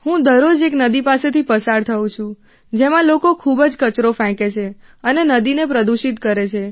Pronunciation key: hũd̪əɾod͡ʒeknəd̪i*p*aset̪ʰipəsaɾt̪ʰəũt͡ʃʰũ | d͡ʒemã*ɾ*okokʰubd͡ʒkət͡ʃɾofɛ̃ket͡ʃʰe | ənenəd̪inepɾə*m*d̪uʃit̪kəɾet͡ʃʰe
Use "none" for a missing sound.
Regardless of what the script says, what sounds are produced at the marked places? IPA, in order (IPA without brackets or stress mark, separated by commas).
p, l, none